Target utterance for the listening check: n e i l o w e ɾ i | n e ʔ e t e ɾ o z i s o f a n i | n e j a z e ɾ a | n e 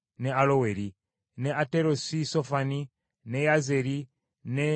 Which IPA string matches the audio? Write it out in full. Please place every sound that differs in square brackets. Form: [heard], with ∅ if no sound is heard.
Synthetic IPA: n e [a] l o w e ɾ i | n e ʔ [a] t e ɾ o [s] i s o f a n i | n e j a z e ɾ [i] | n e